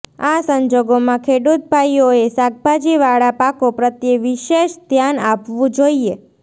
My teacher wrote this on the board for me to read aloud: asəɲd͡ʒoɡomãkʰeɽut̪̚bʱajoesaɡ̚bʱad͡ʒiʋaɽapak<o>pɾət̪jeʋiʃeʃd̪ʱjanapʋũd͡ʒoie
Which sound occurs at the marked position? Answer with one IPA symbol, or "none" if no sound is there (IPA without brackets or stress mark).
o